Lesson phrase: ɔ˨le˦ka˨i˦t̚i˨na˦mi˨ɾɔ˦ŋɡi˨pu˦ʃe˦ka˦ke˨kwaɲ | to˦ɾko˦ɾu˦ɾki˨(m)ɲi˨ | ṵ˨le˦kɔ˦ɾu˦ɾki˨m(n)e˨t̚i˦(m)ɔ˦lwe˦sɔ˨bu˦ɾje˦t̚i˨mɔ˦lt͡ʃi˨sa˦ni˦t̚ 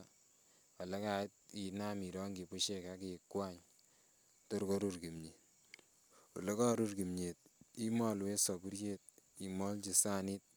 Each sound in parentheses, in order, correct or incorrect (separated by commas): correct, incorrect, correct